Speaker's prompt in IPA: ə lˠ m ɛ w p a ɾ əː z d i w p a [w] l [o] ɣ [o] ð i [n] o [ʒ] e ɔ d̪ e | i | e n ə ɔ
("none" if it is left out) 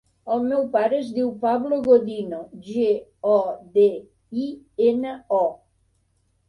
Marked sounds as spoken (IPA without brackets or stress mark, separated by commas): β, o, o, n, ʒ